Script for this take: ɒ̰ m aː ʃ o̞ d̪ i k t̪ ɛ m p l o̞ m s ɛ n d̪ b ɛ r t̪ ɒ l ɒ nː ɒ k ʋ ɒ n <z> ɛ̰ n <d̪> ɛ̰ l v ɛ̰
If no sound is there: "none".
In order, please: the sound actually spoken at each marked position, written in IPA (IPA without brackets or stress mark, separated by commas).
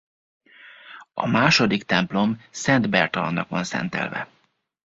s, t̪